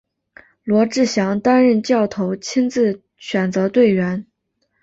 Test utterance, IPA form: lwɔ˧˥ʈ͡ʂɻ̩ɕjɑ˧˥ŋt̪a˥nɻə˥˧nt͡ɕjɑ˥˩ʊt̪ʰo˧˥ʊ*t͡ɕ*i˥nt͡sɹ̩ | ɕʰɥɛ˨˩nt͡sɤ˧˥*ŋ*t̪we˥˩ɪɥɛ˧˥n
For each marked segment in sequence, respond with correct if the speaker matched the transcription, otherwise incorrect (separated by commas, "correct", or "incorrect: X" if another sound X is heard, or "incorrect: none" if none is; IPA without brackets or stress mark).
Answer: incorrect: t͡ɕʰ, incorrect: none